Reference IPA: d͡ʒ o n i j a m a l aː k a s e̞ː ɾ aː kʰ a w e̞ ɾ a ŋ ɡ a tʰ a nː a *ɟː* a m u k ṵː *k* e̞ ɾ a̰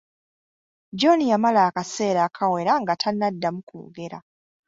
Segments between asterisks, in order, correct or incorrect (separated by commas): incorrect, incorrect